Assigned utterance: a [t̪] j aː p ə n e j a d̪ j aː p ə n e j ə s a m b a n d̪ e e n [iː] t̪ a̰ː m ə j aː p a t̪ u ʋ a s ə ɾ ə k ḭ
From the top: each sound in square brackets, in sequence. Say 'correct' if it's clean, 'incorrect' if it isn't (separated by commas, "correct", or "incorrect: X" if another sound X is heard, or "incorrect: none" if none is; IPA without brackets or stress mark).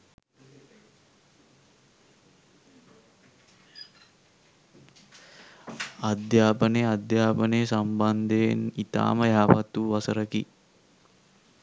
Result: incorrect: d̪, incorrect: i